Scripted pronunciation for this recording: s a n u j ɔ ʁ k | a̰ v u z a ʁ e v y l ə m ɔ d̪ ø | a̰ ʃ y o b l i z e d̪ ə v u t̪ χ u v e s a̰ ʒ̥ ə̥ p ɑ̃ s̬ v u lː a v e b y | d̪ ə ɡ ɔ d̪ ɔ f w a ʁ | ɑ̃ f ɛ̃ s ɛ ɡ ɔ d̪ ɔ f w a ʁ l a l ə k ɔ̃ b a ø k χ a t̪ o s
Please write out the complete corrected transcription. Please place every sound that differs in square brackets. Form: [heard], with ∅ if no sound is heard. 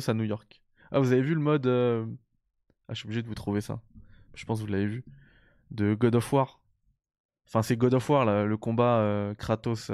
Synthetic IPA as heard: s a n u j ɔ ʁ k | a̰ v u z a [v] e v y l ə m ɔ d̪ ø | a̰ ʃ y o b l i [ʒ] e d̪ ə v u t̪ χ u v e s a̰ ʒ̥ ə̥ p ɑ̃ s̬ v u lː a v e [v] y | d̪ ə ɡ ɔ d̪ ɔ f w a ʁ | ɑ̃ f ɛ̃ s ɛ ɡ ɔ d̪ ɔ f w a ʁ l a l ə k ɔ̃ b a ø k χ a t̪ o s